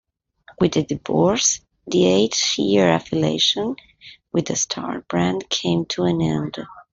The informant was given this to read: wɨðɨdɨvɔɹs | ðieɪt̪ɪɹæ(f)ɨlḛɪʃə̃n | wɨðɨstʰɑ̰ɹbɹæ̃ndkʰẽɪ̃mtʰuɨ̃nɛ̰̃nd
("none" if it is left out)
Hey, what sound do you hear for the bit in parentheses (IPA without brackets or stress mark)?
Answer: f